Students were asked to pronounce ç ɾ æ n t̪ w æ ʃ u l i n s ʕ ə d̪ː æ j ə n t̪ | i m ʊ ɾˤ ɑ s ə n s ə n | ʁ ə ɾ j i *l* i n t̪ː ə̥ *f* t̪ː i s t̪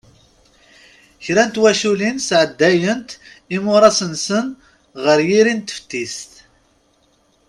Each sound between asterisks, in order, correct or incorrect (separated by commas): incorrect, correct